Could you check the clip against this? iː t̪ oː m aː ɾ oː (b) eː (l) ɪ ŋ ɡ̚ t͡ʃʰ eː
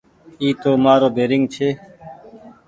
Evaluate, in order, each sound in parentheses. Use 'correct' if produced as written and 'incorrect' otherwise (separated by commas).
correct, incorrect